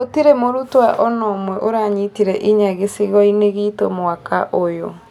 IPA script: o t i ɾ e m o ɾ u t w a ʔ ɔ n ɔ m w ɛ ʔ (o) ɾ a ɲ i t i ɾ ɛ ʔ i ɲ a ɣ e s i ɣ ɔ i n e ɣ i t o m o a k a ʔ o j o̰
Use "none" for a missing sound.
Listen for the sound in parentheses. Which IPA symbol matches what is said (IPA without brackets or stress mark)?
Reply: o